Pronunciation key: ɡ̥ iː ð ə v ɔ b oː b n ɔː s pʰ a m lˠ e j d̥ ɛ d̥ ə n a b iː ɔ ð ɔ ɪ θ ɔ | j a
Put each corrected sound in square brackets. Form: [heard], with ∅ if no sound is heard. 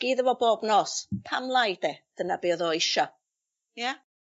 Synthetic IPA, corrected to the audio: ɡ̥ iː ð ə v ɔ b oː b n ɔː s pʰ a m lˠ [a] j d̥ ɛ d̥ ə n a b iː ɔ ð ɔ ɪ [ʃ] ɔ | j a